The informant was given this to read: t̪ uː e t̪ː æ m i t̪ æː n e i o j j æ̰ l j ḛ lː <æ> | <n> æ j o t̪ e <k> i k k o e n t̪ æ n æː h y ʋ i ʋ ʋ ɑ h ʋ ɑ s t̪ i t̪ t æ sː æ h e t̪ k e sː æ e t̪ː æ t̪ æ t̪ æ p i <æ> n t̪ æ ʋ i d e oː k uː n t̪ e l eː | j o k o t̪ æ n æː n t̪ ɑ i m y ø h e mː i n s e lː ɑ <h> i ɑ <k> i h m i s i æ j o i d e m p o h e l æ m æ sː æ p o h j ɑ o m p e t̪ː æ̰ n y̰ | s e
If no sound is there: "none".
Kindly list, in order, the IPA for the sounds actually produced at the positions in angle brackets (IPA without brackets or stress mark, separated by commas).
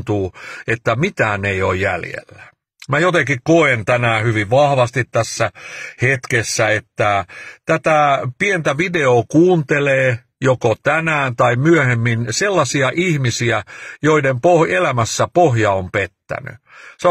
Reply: æ, m, k, e, s, ʔ